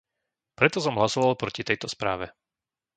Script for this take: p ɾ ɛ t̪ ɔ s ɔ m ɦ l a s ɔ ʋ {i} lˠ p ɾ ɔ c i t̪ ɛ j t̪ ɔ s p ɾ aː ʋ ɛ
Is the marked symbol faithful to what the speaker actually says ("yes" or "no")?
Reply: no